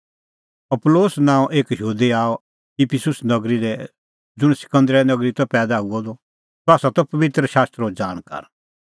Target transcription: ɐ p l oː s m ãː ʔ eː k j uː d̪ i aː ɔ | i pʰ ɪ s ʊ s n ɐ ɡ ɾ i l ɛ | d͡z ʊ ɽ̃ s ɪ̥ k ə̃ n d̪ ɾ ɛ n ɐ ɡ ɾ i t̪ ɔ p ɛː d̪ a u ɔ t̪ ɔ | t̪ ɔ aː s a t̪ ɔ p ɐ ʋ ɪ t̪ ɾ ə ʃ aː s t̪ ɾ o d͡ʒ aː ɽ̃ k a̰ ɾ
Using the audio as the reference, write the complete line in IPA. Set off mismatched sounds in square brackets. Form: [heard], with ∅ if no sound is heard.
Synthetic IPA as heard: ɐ p l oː s [n] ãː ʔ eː k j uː d̪ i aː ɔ | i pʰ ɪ s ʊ s n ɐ ɡ ɾ i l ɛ | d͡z ʊ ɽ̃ s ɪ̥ k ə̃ n d̪ ɾ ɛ n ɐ ɡ ɾ i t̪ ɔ p ɛː d̪ a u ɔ [d̪] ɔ | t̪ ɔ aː s a t̪ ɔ p ɐ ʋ ɪ t̪ ɾ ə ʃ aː s t̪ ɾ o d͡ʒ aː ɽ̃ k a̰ ɾ